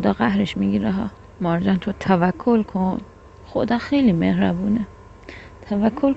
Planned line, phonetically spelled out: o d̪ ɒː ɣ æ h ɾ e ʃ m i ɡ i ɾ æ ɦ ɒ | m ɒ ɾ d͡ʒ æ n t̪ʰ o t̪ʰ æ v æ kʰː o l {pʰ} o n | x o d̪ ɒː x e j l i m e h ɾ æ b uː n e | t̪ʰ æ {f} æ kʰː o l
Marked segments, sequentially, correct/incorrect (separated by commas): incorrect, incorrect